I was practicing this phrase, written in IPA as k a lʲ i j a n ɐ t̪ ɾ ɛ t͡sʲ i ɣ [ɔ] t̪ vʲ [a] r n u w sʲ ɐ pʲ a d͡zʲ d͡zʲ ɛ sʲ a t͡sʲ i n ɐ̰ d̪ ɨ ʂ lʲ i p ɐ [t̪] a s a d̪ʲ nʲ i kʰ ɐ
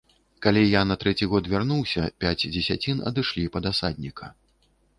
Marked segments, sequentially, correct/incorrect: correct, correct, incorrect: d̪

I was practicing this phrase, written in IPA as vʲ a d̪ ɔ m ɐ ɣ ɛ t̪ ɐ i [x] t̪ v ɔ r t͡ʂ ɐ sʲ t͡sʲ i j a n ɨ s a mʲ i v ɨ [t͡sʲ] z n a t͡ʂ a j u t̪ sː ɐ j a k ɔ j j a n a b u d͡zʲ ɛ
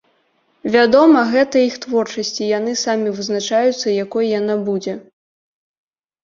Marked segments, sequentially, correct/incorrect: correct, incorrect: none

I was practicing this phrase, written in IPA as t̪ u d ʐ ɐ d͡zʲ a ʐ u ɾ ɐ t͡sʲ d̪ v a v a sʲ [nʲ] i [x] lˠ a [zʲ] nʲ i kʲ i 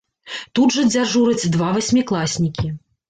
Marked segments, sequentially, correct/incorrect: incorrect: mʲ, incorrect: k, incorrect: sʲ

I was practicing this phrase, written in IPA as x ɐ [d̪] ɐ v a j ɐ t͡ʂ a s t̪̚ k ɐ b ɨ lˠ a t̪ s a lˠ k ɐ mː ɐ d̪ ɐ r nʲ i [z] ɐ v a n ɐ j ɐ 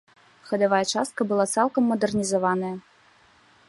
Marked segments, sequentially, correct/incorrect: correct, correct

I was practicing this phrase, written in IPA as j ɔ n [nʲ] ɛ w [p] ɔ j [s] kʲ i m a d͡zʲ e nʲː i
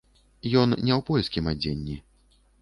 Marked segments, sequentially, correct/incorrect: correct, correct, correct

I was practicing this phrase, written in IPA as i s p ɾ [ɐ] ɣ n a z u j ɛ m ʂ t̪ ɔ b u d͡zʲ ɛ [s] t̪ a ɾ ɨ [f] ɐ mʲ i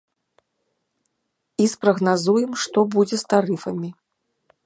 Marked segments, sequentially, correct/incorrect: correct, correct, correct

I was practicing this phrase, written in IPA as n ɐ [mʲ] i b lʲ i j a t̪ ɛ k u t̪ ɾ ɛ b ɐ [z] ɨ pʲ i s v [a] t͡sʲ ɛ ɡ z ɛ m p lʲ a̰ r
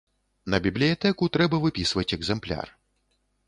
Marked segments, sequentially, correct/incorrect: incorrect: bʲ, incorrect: v, incorrect: ɐ

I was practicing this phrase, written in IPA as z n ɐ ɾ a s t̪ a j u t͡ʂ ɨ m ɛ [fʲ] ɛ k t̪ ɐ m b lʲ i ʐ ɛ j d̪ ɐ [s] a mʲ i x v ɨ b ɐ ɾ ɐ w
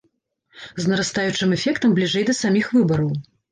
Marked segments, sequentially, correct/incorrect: correct, correct

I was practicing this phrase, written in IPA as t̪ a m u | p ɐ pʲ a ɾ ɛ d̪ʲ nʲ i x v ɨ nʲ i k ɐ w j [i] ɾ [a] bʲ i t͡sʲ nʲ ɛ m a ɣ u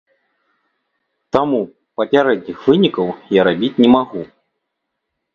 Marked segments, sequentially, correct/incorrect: incorrect: a, correct

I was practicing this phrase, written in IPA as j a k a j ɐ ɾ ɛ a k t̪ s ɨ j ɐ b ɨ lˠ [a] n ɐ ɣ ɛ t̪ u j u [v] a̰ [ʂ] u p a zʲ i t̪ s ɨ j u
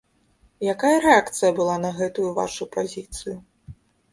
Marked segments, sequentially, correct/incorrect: correct, correct, correct

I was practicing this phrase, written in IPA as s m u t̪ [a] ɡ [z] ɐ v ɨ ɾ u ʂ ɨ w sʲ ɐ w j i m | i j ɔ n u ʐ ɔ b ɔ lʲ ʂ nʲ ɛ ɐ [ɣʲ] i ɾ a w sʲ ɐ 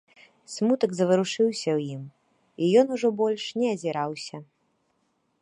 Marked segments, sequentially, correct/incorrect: incorrect: ɐ, correct, incorrect: zʲ

